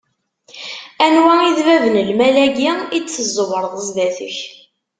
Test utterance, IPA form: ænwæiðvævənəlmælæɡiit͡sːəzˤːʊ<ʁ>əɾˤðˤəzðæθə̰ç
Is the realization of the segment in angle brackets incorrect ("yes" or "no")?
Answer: yes